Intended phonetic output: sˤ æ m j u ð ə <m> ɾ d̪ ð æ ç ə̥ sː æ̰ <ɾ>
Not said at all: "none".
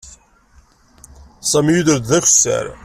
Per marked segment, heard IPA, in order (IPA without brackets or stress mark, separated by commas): none, ɾ